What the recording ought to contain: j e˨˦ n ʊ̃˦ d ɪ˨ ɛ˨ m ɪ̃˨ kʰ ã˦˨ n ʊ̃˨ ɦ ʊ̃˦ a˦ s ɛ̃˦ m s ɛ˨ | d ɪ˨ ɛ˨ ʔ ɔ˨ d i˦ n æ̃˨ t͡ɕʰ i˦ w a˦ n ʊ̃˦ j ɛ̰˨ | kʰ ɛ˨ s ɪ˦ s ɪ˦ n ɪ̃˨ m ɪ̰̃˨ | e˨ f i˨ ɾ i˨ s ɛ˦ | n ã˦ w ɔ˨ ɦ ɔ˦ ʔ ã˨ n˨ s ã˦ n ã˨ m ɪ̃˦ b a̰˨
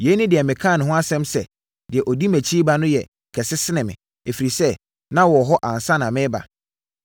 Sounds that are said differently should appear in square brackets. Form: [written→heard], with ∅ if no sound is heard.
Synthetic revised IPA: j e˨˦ n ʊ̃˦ d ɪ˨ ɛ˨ m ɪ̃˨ kʰ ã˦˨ n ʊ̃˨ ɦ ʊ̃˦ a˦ s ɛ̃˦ m s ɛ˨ | d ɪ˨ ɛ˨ ʔ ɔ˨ d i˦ [n→m] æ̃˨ t͡ɕʰ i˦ [w→b] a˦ n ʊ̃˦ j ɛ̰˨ | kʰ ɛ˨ s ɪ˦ s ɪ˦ n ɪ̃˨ m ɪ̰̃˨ | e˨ f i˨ ɾ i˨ s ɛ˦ | n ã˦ w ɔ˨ ɦ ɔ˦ ʔ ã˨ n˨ s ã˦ n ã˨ m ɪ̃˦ b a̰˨